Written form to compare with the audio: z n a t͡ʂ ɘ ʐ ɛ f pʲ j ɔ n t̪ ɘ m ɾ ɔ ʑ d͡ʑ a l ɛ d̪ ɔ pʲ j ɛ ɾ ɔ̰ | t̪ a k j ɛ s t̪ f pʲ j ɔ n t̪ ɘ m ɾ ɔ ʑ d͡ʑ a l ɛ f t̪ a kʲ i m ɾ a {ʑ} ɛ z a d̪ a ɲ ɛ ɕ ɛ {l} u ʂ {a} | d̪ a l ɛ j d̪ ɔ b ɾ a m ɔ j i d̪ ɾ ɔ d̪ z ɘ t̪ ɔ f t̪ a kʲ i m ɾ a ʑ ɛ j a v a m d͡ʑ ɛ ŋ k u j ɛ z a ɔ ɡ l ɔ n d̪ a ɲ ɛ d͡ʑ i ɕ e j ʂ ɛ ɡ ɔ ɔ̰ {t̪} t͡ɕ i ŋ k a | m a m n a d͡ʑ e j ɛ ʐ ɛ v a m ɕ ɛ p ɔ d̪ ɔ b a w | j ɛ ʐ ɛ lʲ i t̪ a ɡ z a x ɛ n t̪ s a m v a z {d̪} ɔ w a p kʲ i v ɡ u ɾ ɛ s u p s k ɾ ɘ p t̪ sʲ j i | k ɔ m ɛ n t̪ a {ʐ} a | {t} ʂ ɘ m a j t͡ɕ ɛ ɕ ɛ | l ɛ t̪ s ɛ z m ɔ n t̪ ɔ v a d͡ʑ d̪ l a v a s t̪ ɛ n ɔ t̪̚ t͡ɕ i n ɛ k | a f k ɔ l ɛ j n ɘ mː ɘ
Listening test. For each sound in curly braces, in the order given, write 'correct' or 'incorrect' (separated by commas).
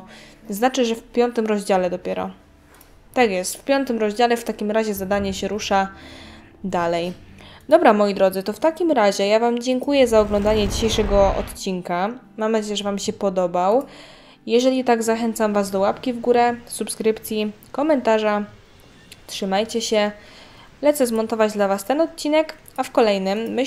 correct, incorrect, correct, correct, correct, correct, correct